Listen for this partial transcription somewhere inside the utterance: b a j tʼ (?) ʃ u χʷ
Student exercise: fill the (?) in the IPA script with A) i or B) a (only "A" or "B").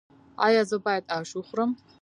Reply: B